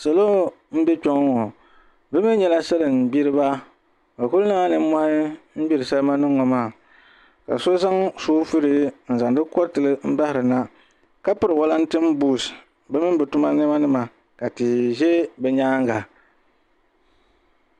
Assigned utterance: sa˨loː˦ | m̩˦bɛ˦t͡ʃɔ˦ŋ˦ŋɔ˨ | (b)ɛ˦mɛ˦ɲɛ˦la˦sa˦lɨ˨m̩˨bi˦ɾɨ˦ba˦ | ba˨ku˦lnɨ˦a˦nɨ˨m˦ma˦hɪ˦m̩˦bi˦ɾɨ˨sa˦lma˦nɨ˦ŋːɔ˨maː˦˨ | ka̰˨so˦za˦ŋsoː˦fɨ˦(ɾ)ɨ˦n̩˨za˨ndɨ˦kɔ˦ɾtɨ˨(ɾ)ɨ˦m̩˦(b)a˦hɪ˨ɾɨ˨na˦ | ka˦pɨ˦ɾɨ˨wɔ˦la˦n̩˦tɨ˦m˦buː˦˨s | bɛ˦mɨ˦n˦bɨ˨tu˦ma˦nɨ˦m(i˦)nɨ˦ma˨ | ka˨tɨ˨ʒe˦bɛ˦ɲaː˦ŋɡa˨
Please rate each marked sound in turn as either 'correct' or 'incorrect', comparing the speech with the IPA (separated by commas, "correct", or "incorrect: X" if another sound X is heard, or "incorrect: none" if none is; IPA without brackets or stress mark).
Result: correct, correct, incorrect: l, correct, incorrect: a˦